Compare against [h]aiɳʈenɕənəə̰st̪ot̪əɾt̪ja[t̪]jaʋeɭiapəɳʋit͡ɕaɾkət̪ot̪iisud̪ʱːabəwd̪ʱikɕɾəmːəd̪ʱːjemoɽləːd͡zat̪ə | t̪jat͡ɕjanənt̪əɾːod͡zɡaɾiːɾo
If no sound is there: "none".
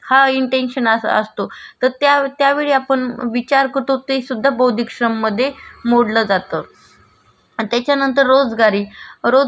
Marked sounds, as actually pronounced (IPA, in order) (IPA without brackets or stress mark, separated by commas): h, t̪